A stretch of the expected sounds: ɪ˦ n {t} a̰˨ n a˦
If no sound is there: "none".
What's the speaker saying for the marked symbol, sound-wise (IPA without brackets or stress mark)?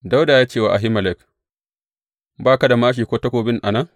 ʔ